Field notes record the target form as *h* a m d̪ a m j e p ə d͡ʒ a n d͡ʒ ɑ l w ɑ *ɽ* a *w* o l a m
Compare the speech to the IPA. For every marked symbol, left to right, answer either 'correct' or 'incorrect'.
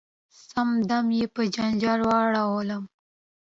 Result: incorrect, correct, correct

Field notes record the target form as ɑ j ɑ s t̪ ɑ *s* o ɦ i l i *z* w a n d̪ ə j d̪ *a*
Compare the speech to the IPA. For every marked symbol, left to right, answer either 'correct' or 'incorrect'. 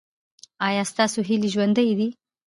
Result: correct, incorrect, incorrect

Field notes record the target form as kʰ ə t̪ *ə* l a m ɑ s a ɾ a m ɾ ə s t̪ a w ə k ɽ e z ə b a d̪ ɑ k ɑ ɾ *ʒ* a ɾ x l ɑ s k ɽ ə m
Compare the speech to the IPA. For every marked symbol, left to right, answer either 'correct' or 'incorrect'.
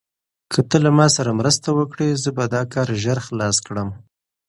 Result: correct, correct

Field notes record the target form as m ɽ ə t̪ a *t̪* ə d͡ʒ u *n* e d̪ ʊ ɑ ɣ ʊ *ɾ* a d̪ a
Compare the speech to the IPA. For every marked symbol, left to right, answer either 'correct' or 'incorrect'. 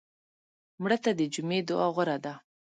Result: incorrect, incorrect, correct

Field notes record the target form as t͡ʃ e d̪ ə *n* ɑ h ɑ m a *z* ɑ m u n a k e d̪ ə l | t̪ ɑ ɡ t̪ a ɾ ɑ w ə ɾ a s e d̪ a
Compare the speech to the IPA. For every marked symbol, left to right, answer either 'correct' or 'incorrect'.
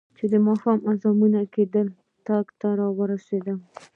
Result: incorrect, correct

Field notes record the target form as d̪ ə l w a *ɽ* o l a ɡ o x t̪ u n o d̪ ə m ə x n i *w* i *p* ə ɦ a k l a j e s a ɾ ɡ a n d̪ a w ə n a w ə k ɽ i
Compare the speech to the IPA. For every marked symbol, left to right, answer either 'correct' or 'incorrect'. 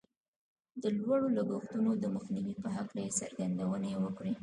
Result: correct, correct, correct

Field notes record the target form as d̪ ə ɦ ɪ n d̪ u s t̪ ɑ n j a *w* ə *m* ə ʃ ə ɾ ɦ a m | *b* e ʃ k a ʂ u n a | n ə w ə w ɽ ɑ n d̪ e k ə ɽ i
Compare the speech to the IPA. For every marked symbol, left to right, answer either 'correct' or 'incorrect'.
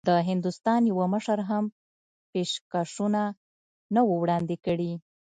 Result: correct, correct, incorrect

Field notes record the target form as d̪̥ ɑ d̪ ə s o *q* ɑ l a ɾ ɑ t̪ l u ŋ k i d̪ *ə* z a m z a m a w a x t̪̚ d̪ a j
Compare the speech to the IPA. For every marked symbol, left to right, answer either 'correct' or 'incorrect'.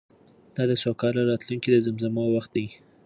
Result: incorrect, correct

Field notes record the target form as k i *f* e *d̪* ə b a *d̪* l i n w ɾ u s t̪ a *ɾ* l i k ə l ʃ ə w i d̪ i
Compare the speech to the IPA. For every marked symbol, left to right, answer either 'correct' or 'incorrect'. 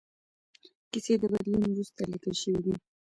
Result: incorrect, correct, correct, incorrect

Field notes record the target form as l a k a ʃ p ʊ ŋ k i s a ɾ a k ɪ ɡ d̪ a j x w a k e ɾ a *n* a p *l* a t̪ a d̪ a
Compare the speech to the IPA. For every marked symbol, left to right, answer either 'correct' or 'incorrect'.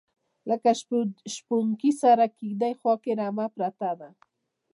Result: incorrect, incorrect

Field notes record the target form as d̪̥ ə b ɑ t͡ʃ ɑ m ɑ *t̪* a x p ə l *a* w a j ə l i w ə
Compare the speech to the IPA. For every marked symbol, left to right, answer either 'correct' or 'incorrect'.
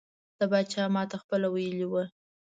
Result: correct, correct

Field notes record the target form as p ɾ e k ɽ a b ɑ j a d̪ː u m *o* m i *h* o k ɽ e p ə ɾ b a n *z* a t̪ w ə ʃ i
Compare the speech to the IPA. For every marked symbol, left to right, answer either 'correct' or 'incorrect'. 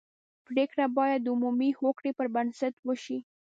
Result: incorrect, correct, incorrect

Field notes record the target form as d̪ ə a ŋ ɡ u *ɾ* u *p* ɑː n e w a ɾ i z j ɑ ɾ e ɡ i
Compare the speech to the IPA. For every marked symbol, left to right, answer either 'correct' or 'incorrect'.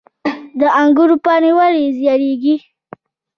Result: correct, correct

